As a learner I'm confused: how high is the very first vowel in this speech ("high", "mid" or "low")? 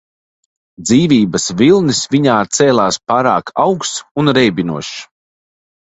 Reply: high